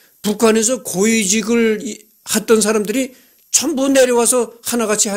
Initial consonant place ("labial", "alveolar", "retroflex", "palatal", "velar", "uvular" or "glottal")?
labial